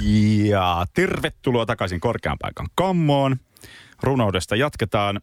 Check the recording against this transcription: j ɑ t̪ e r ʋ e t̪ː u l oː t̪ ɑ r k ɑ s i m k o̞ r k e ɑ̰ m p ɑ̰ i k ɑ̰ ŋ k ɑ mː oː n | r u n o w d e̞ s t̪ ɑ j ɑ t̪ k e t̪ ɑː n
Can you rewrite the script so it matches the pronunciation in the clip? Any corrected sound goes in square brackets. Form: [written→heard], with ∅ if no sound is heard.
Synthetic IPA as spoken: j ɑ t̪ e r ʋ e t̪ː u l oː t̪ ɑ [r→∅] k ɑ s i [m→ŋ] k o̞ r k e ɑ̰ m p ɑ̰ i k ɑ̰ ŋ k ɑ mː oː n | r u n o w d e̞ s t̪ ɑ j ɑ t̪ k e t̪ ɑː n